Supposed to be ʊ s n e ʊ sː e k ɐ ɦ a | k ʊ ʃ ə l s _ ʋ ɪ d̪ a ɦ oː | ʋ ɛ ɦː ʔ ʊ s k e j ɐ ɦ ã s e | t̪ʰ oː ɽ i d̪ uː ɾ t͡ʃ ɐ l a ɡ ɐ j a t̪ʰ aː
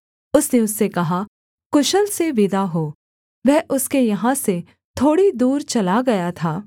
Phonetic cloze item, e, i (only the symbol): e